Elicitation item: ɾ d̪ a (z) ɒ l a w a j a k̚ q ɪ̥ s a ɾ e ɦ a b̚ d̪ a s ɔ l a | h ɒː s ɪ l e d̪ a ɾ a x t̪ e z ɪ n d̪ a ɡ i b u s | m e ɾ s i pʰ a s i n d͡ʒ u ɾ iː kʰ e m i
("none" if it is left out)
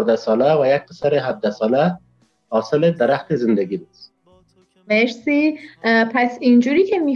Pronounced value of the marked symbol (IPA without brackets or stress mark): s